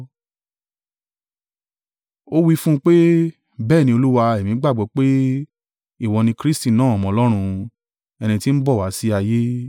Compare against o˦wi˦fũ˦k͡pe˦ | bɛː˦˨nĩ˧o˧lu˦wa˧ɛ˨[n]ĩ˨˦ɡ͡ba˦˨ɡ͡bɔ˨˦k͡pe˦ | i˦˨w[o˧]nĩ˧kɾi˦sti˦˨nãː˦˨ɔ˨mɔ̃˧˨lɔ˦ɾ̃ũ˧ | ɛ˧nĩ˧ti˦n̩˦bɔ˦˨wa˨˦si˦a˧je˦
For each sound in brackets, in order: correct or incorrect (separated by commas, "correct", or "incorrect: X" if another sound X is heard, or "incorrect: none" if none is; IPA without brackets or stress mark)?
incorrect: m, incorrect: ɔ˧